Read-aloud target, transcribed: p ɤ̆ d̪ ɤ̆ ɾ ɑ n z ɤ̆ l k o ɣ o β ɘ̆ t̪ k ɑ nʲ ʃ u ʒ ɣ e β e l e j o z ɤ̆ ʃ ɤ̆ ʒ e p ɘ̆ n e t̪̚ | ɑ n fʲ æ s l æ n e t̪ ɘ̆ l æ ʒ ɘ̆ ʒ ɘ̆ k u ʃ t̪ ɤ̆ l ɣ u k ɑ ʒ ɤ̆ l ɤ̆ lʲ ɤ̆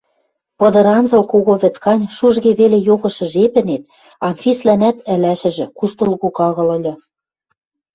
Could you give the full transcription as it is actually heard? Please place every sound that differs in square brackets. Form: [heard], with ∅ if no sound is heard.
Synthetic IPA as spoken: p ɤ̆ d̪ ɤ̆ ɾ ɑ n z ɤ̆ l k o ɣ o β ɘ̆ t̪ k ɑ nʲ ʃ u ʒ ɣ e β e l e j o [ɣ] ɤ̆ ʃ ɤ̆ ʒ e p ɘ̆ n e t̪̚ | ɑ n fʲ [i] s l æ n [æ] t̪ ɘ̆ l æ [ʃ] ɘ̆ ʒ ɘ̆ k u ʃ t̪ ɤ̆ l ɣ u k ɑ [ɣ] ɤ̆ l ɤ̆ lʲ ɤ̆